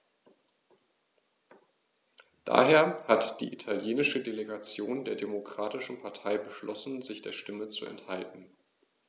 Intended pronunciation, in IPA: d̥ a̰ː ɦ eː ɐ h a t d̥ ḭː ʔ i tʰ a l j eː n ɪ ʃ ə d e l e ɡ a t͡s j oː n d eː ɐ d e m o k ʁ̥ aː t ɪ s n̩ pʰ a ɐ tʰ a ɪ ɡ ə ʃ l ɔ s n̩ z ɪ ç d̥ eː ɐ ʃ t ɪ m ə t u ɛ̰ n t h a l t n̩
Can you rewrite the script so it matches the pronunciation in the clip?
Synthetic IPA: d̥ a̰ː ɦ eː ɐ h a t d̥ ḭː ʔ i tʰ a l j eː n ɪ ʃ ə d e l e ɡ a t͡s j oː n d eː ɐ d e m o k ʁ̥ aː t ɪ ʃ n̩ pʰ a ɐ tʰ a ɪ b ə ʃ l ɔ s n̩ z ɪ ç d̥ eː ɐ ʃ t ɪ m ə t͡s u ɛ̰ n t h a l t n̩